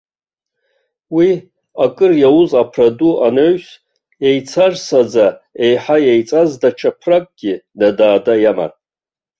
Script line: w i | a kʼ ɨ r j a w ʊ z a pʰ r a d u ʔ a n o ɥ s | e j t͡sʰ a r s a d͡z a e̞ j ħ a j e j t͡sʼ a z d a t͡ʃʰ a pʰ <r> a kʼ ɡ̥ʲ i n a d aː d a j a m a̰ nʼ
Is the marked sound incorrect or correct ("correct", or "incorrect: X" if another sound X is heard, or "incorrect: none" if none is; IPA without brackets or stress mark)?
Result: correct